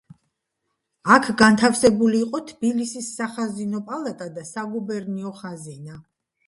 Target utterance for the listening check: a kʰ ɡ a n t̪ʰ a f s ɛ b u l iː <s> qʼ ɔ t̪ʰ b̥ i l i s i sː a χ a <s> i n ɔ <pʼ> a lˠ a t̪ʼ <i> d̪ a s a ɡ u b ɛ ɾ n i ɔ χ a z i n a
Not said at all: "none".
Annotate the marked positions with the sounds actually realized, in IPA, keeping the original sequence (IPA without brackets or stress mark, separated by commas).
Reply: none, z, pʼ, a